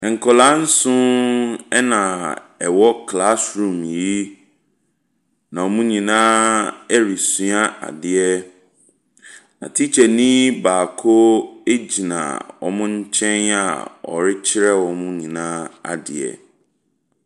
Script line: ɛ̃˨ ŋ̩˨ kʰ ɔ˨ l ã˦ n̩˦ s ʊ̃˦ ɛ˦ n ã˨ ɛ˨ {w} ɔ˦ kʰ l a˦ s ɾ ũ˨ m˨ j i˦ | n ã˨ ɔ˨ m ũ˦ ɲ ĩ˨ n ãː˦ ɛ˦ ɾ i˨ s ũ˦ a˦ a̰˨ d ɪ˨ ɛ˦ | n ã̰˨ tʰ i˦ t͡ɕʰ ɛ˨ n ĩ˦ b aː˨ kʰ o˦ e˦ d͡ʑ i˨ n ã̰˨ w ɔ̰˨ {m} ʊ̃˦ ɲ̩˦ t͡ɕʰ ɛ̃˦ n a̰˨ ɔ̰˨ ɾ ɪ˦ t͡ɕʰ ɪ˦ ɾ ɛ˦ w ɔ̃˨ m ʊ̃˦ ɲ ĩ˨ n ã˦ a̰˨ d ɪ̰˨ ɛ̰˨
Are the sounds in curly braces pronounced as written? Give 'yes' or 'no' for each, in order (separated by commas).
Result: yes, yes